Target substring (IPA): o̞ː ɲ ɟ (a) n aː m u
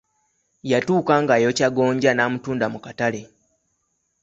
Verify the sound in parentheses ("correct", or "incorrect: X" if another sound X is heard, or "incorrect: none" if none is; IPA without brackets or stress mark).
correct